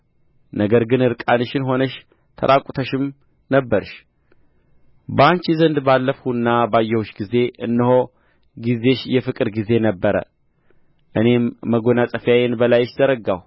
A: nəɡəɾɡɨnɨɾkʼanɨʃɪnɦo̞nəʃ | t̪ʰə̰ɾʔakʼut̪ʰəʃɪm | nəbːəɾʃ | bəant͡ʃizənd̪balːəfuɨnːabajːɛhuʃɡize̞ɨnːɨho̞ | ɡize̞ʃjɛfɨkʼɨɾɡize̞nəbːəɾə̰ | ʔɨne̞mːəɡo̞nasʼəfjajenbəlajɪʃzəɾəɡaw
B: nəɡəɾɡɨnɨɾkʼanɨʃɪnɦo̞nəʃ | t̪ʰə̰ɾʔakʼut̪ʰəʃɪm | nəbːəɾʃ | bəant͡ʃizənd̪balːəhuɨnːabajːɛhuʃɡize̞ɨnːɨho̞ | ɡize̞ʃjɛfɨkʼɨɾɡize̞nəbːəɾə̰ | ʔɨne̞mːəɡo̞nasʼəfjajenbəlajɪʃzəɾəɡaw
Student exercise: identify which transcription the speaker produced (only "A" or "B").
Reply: A